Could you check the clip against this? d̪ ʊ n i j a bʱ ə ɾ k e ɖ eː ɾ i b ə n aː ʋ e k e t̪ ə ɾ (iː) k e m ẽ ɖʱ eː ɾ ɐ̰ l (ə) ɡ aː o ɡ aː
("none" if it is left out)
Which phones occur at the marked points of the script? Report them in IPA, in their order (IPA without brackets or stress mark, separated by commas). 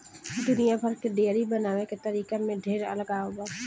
iː, ə